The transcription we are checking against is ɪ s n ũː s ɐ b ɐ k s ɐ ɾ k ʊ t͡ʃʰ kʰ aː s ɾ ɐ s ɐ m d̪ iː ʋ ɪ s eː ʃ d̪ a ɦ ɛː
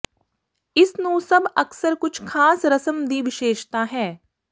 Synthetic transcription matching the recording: ɪ s n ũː s ɐ b ɐ k s ə ɾ k ʊ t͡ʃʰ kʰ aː s ɾ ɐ s ə m d̪ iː ʋ ɪ ʃ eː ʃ t̪ a ɦ ɛː

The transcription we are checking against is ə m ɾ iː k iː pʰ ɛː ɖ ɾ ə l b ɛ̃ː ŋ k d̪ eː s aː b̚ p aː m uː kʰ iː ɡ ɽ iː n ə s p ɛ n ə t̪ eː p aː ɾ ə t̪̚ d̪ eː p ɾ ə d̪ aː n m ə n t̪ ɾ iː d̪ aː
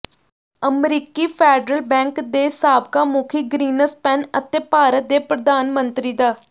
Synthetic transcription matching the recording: ə m ɾ iː k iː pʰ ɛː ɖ ɾ ə l b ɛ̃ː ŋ k d̪ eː s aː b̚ k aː m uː kʰ iː ɡ ɾ iː n ə s p ɛ n ə t̪ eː p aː ɾ ə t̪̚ d̪ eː p ɾ ə d̪ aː n m ə n t̪ ɾ iː d̪ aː

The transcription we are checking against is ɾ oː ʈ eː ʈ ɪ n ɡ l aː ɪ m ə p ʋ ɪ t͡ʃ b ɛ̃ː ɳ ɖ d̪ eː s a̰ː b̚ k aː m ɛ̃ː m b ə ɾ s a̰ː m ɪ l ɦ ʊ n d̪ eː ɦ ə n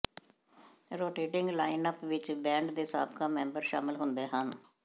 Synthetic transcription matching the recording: ɾ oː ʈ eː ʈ ɪ ŋ ɡ l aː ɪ n ə p ʋ ɪ t͡ʃ b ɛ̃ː ɳ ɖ d̪ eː s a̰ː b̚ k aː m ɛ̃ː m b ə ɾ ʃ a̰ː m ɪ l ɦ ʊ n d̪ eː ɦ ə n

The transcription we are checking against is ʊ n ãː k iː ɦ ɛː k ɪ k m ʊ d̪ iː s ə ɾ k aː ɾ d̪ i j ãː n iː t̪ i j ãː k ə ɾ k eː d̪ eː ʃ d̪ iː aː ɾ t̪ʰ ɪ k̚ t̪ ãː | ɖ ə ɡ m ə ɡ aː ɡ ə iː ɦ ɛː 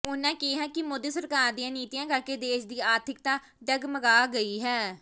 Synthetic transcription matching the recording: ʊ n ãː k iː ɦ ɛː k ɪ m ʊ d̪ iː s ə ɾ k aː ɾ d̪ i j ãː n iː t̪ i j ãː k ə ɾ k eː d̪ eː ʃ d̪ iː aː ɾ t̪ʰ ɪ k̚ t̪ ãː | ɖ ə ɡ m ə ɡ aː ɡ ə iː ɦ ɛː

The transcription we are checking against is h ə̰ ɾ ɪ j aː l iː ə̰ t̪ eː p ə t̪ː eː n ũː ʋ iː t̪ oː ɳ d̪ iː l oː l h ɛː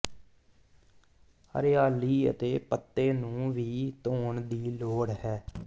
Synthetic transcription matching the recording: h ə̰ ɾ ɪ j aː l iː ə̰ t̪ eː p ə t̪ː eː n ũː ʋ iː t̪ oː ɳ d̪ iː l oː ɽ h ɛː

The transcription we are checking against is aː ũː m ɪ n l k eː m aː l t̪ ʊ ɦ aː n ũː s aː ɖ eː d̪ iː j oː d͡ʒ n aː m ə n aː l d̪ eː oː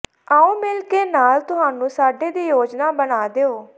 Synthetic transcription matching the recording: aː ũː m ɪ l k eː n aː l t̪ ʊ ɦ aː n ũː s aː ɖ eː d̪ iː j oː d͡ʒ n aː b ə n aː d̪ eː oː

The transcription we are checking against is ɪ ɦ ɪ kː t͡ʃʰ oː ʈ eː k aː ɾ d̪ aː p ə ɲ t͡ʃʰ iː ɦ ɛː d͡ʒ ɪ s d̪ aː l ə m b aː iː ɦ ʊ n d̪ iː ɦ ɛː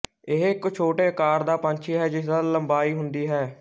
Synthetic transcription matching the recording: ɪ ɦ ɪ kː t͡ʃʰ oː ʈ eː k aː ɾ d̪ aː p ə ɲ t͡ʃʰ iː ɦ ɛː d͡ʒ ɪ s d̪ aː l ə m b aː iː ɦ ʊ n d̪ iː ɦ ɛː

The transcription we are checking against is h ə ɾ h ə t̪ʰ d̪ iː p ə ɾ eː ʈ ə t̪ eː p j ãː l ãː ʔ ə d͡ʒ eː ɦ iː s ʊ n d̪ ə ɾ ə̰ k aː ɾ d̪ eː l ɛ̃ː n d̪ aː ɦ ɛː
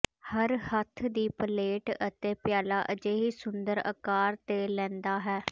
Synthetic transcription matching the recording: h ə ɾ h ə t̪ʰ d̪ iː p ə l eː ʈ ə t̪ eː p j aː l aː ʔ ə d͡ʒ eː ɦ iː s ʊ n d̪ ə ɾ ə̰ k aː ɾ t̪ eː l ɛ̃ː n d̪ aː ɦ ɛː

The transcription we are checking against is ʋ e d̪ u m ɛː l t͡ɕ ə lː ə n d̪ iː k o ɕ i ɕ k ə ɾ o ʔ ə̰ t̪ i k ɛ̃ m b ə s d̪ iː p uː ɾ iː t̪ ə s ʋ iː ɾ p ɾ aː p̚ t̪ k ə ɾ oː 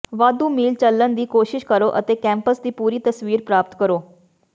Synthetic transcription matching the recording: ʋ a d̪ u m iː l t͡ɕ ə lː ə n d̪ iː k o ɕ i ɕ k ə ɾ o ʔ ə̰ t̪ e k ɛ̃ m p ə s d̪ iː p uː ɾ iː t̪ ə s ʋ iː ɾ p ɾ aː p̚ t̪ k ə ɾ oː

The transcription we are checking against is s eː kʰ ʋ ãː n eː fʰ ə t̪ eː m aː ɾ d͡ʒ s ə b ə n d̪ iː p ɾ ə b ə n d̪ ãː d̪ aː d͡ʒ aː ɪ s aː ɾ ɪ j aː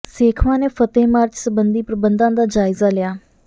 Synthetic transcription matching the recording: s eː kʰ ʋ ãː n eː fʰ ə t̪ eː m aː ɾ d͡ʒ s ə b ə n d̪ iː p ɾ ə b ə n d̪ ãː d̪ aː d͡ʒ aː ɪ z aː l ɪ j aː

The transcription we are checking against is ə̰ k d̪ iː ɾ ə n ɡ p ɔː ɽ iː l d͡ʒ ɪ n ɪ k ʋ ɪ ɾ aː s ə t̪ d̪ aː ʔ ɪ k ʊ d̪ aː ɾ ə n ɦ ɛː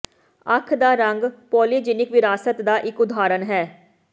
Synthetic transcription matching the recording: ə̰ kʰ d̪ aː ɾ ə ŋ ɡ p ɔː l iː d͡ʒ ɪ n ɪ k ʋ ɪ ɾ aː s ə t̪ d̪ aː ʔ ɪ k ʊ d̪ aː ɾ ə n ɦ ɛː

